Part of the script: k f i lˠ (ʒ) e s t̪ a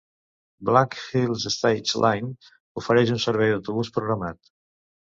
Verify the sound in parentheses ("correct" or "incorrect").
incorrect